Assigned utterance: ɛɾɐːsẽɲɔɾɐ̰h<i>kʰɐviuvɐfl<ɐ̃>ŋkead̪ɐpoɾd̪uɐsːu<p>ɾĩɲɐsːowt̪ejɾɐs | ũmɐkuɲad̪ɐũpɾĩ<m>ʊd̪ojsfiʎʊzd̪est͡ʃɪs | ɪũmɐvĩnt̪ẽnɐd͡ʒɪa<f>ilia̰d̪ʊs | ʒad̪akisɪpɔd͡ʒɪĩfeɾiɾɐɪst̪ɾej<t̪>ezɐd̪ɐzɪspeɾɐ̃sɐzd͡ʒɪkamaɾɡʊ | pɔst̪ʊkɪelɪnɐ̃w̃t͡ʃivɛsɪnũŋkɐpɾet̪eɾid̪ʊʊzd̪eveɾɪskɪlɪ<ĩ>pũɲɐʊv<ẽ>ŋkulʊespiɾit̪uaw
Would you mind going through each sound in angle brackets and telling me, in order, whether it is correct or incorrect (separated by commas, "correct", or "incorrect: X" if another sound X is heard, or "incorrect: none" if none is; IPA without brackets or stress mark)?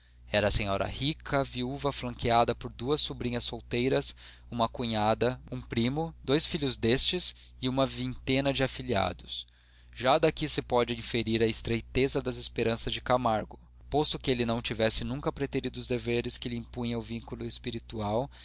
correct, correct, incorrect: b, correct, correct, correct, correct, incorrect: ĩ